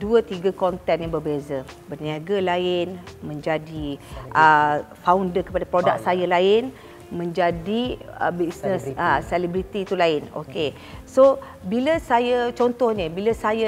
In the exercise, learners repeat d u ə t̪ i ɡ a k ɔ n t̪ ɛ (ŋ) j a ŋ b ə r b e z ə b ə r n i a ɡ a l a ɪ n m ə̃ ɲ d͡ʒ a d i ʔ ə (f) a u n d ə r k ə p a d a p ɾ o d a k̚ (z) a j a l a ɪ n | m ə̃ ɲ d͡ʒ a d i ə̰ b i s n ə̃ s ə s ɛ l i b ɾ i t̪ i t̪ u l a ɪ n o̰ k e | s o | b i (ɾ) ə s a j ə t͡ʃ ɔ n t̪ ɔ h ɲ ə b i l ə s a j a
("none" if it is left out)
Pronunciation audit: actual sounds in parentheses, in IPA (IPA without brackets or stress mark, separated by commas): n, f, s, l